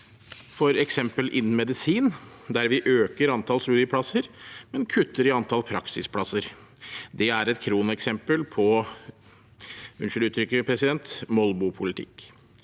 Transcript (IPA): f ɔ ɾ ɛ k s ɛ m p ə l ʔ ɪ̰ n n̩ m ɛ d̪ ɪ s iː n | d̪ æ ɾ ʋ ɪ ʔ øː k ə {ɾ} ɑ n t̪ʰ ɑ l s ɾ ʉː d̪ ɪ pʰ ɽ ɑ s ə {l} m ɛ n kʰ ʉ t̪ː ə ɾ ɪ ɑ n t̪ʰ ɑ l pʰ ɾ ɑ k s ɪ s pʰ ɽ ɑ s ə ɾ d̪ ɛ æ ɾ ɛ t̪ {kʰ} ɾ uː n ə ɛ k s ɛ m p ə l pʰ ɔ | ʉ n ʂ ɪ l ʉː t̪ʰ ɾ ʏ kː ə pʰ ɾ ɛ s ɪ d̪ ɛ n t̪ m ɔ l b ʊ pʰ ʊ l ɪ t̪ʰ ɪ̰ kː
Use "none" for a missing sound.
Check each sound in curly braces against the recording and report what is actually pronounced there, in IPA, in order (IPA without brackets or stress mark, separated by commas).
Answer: ɾ, ɾ, kʰ